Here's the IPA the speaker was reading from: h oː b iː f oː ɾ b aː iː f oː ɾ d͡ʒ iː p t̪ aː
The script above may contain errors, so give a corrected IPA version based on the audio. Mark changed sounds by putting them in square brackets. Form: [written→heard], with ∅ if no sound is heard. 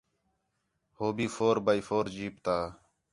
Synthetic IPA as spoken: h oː b iː f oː ɾ b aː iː f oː ɾ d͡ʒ iː p t̪ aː